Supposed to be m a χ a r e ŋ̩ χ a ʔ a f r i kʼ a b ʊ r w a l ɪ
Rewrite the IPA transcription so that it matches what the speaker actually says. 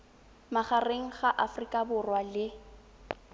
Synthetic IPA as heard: m a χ a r e ŋ̩ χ a ʔ a f r i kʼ a b ʊ r w a l ɪ